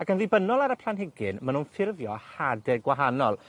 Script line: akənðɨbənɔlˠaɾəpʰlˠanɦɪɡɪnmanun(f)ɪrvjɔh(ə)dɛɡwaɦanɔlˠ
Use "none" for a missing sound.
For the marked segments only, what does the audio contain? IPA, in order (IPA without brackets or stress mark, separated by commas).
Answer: f, a